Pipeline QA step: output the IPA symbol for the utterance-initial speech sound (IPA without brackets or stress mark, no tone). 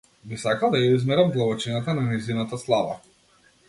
b